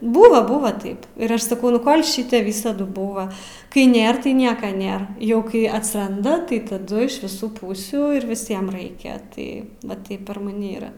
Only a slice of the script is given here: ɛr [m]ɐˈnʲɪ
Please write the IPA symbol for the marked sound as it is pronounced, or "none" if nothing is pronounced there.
m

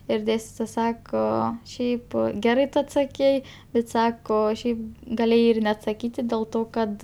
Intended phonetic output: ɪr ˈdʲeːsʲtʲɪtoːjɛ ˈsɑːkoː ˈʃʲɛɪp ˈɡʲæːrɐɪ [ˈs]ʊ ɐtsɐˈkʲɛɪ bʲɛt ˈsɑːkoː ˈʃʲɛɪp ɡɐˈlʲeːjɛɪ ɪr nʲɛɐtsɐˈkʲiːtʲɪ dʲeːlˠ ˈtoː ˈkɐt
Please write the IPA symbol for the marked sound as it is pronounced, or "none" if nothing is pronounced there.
t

